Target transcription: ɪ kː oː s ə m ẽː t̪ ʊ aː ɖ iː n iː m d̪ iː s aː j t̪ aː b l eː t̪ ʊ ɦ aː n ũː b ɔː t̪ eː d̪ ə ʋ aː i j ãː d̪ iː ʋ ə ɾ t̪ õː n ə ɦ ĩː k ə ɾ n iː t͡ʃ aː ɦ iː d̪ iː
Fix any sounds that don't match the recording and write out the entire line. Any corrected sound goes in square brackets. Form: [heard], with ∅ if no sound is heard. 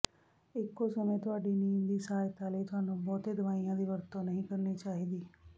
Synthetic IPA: ɪ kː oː s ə m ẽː t̪ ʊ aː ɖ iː n iː m d̪ iː s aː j t̪ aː [∅] l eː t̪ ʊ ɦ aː n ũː b ɔː t̪ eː d̪ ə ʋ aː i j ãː d̪ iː ʋ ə ɾ t̪ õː n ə ɦ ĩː k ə ɾ n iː t͡ʃ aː ɦ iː d̪ iː